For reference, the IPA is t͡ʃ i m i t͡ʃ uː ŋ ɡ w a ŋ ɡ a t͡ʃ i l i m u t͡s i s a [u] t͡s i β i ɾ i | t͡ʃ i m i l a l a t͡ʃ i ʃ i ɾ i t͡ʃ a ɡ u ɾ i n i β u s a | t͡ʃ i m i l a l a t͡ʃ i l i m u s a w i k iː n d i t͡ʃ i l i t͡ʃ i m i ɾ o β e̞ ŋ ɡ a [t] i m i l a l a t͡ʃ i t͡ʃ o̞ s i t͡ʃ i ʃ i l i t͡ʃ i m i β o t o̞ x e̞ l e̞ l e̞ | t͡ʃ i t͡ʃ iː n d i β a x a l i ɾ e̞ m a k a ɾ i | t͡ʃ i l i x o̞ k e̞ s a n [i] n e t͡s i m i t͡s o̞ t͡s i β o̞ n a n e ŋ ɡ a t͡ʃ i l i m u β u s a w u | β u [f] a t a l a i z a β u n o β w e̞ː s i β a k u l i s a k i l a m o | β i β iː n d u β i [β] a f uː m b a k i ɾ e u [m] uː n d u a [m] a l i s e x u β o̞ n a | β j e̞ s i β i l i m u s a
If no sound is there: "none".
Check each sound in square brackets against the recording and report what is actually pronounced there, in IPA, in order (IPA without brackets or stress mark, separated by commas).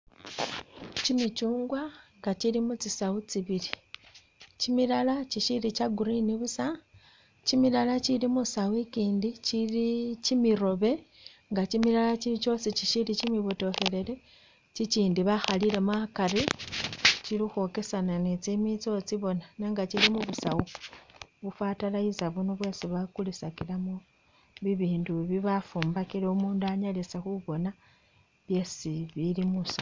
u, t͡ʃ, a, f, β, m, ɲ